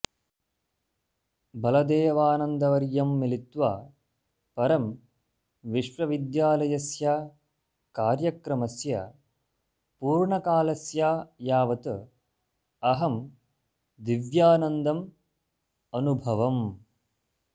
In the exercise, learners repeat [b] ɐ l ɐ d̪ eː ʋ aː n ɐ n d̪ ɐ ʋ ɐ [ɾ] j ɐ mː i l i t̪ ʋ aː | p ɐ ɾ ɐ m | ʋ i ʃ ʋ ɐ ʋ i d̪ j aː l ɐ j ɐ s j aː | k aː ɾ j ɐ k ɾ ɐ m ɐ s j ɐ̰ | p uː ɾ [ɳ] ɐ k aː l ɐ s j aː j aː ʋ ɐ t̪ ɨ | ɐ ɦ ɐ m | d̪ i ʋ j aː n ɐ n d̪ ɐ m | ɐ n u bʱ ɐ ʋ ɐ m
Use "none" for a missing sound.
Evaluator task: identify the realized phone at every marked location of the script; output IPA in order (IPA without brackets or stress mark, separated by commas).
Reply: b, ɾ, ɳ